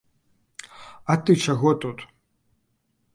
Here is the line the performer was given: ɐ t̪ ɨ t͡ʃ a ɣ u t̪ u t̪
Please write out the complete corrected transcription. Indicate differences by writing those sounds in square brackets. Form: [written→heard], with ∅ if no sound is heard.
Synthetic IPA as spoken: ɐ t̪ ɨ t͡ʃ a ɣ [u→ɔ] t̪ u t̪